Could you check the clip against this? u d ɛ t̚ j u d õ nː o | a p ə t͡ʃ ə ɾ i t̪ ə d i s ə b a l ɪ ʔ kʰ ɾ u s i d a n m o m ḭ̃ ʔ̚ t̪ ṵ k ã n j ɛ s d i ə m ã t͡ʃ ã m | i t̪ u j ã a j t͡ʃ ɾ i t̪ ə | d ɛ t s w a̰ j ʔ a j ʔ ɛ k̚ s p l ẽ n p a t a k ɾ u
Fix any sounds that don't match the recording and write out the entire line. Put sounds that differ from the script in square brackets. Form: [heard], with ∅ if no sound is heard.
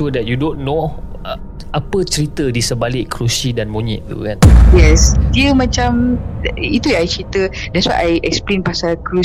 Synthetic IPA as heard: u d ɛ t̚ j u d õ nː o | a p ə t͡ʃ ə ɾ i t̪ ə d i s ə b a l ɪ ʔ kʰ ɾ u s i d a n m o [ɲ] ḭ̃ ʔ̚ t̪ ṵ k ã n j ɛ s d i ə m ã t͡ʃ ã m | i t̪ u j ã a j t͡ʃ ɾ i t̪ ə | d ɛ t s w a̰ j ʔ a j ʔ ɛ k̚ s p l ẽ n p a [s] a k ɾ u